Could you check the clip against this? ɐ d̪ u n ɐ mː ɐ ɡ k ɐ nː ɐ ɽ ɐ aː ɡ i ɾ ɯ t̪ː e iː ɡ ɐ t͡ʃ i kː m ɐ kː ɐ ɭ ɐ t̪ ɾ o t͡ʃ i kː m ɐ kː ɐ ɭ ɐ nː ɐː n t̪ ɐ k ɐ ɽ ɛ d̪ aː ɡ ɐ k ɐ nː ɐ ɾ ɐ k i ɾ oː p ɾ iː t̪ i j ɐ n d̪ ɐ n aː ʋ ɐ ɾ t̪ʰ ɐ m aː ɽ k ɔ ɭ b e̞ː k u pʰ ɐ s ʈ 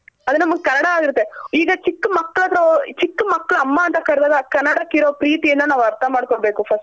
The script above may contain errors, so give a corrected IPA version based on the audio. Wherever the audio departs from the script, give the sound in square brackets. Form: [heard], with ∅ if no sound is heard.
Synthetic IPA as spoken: ɐ d̪ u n ɐ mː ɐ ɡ k ɐ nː ɐ ɽ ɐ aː ɡ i ɾ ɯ t̪ː e iː ɡ ɐ t͡ʃ i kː m ɐ kː ɐ ɭ ɐ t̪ ɾ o t͡ʃ i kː m ɐ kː ɐ ɭ ɐ [mː] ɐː n t̪ ɐ k ɐ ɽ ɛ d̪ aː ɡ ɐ k ɐ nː ɐ [ɽ] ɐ k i ɾ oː p ɾ iː t̪ i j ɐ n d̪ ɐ n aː ʋ ɐ ɾ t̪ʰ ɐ m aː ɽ k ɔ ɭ b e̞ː k u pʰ ɐ s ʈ